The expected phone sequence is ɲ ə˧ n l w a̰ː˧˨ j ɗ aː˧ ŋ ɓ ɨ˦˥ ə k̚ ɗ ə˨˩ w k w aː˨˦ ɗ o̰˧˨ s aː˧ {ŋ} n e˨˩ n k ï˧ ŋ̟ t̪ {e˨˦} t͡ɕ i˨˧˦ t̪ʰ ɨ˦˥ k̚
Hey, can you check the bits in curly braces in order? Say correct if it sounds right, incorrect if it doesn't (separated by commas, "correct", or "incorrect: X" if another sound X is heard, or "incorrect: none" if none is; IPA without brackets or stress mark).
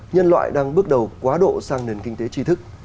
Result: correct, correct